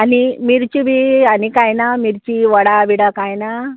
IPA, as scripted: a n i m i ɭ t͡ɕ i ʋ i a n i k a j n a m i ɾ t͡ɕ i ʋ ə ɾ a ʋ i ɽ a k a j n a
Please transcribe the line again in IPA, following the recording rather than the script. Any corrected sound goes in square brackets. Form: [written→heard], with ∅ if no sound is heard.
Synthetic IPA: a n i m i [ɭ→ɾ] t͡ɕ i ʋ i a n i k a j n a m i ɾ t͡ɕ i ʋ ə [ɾ→ɽ] a ʋ i ɽ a k a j n a